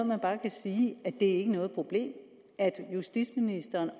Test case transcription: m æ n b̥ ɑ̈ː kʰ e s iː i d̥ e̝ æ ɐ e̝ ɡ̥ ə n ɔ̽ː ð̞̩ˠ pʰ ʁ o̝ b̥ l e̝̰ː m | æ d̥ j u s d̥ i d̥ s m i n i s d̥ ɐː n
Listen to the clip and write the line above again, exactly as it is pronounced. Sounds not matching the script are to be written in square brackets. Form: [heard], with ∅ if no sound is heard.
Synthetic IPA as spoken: m æ n b̥ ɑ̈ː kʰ [æ] s iː [æ] d̥ e̝ æ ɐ e̝ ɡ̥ ə n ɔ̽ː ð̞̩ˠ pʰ ʁ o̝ b̥ l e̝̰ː m | æ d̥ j u s d̥ i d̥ s m i n i s d̥ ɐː n